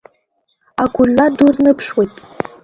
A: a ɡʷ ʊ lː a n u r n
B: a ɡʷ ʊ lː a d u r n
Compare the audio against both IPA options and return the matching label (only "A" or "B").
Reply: B